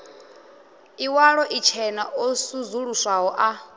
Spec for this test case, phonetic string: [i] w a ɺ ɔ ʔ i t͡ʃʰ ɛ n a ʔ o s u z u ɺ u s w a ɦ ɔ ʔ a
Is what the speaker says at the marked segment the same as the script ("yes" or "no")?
yes